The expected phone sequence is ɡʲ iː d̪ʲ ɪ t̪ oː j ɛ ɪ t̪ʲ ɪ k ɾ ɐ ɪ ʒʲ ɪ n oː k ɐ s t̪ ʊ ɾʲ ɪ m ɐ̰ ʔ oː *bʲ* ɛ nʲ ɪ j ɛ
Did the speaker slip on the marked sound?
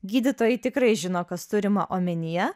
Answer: yes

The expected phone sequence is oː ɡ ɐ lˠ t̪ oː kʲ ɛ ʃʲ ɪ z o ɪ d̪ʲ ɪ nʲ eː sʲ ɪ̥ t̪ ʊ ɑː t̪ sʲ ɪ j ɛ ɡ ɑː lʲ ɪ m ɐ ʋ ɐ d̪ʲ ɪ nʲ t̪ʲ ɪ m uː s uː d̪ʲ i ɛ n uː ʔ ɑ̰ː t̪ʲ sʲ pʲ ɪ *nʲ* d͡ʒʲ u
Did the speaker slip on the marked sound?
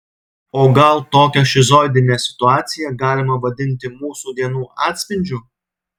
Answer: no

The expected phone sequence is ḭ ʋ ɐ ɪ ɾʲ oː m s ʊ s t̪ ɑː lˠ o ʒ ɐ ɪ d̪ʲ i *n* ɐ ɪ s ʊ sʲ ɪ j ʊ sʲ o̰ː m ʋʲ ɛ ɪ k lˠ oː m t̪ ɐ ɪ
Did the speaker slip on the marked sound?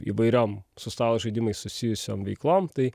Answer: yes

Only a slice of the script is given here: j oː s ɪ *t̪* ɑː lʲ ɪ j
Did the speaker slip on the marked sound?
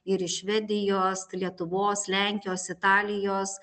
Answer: no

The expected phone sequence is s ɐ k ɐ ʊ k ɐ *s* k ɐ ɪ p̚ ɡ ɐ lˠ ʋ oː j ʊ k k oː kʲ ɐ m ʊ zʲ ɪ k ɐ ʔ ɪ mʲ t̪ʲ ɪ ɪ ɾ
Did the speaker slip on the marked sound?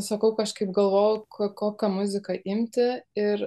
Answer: yes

